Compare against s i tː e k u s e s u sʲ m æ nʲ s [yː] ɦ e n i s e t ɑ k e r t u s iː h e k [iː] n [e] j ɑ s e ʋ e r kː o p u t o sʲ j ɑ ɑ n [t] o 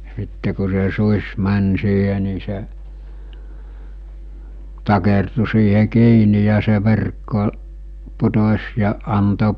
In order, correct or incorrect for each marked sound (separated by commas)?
incorrect, correct, incorrect, correct